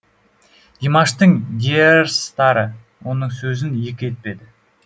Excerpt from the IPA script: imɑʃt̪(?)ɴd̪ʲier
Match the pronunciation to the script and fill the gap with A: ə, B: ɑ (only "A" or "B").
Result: A